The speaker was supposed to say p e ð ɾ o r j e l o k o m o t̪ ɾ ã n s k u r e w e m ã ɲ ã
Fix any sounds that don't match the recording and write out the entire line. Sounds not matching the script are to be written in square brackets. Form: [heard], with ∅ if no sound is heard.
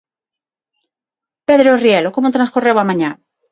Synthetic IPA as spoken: p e ð ɾ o r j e l o k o m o t̪ ɾ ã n s k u r e w [a] m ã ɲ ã